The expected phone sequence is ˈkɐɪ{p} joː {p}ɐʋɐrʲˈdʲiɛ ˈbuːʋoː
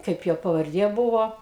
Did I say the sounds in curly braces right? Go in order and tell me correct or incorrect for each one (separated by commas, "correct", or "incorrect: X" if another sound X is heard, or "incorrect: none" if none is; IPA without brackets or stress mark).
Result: correct, correct